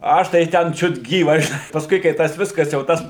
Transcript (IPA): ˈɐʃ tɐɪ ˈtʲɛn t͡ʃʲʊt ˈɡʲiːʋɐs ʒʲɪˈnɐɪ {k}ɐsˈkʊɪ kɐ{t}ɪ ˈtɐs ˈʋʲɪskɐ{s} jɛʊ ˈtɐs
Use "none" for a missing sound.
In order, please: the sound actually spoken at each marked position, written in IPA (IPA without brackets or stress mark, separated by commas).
p, none, s